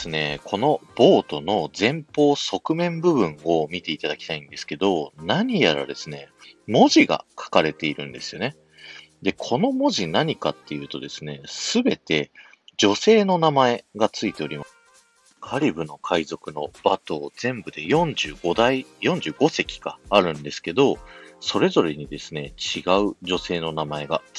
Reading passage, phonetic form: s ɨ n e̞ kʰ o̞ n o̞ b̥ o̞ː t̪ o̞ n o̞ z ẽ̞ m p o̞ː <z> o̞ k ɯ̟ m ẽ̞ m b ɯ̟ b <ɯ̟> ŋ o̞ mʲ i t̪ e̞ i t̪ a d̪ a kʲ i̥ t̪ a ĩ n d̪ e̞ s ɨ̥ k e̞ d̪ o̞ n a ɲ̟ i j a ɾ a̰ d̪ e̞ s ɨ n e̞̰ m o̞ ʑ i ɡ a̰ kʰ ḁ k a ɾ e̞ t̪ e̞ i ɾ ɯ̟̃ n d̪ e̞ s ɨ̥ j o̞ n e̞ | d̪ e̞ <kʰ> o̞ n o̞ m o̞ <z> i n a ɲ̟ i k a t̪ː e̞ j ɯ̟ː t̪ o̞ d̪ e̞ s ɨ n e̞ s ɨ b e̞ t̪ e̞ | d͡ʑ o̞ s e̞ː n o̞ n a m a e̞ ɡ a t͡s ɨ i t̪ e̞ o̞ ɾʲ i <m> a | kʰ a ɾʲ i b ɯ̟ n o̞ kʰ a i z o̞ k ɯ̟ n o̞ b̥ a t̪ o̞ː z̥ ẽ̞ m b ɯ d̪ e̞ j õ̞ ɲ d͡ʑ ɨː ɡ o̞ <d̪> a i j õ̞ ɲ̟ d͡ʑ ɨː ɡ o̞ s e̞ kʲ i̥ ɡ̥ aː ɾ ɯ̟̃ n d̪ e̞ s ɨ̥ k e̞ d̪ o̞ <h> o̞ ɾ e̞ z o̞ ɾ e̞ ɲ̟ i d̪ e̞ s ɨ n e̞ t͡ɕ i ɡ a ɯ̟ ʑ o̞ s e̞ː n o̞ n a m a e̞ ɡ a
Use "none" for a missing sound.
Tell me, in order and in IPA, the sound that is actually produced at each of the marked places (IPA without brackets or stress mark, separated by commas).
s, ɯ̟̃, kʰ, ʑ, m, d̪, s